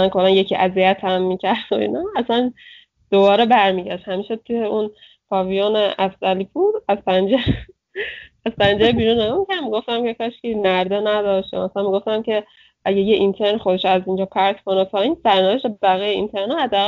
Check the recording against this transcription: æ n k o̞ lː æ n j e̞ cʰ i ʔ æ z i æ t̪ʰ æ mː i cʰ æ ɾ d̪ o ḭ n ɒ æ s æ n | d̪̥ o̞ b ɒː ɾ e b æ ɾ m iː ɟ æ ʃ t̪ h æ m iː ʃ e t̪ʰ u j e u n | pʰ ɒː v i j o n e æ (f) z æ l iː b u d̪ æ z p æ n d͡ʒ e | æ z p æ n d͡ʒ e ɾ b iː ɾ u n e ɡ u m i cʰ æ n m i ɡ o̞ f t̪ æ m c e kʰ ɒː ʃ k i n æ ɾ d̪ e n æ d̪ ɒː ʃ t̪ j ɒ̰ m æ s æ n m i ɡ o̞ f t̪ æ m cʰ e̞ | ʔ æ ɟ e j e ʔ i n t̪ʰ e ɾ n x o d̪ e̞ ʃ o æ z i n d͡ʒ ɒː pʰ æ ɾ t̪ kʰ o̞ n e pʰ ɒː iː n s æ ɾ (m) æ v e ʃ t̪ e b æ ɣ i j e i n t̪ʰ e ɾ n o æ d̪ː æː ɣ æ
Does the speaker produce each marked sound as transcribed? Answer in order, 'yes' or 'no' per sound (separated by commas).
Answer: yes, no